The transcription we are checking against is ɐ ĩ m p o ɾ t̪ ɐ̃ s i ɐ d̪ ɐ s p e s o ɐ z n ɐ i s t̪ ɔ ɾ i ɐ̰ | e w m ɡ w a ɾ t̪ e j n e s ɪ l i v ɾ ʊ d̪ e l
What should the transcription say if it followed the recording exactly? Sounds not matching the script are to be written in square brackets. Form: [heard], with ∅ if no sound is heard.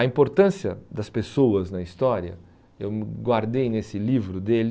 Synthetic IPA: ɐ ĩ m p o ɾ t̪ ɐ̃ s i ɐ d̪ ɐ s p e s o ɐ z n ɐ i s t̪ ɔ ɾ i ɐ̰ | e w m ɡ w a ɾ [d̪] e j n e s ɪ l i v ɾ ʊ d̪ e l